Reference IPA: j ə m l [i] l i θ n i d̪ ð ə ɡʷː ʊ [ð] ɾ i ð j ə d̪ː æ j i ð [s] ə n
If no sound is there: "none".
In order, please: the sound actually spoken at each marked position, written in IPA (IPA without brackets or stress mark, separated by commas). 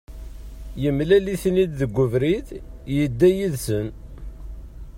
æ, v, s